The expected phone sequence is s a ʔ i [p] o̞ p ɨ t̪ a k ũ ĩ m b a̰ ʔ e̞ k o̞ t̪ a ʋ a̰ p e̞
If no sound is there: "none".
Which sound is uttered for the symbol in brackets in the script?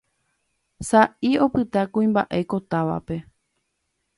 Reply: none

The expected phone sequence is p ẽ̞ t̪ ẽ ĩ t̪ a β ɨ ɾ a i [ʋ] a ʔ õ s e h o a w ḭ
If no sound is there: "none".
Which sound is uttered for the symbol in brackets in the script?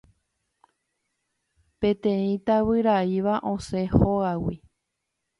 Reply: ʋ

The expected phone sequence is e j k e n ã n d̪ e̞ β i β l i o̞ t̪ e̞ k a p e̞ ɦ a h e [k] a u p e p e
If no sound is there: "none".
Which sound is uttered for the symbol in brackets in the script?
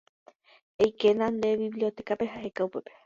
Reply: k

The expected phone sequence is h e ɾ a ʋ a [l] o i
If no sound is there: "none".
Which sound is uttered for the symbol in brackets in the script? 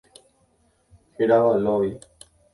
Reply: l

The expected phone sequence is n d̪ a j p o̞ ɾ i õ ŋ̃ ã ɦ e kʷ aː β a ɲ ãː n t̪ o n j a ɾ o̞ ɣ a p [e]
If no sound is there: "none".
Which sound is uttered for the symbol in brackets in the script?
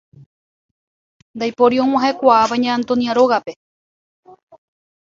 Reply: e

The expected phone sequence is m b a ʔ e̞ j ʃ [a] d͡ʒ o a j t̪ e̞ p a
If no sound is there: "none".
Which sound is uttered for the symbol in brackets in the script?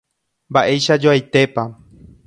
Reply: a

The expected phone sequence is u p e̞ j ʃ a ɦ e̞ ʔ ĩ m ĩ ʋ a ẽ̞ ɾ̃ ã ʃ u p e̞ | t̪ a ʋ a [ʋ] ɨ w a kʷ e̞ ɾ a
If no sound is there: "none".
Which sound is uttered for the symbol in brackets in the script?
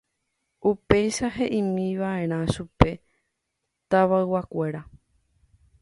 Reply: none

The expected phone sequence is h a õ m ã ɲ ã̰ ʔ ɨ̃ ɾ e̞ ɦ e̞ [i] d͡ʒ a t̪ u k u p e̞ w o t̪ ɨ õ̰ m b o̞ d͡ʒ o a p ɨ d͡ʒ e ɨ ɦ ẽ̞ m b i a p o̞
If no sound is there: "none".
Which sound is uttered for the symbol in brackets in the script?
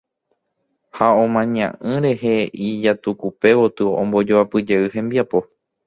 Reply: i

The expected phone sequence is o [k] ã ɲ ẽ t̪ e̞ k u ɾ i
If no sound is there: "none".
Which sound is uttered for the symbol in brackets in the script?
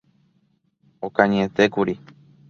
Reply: k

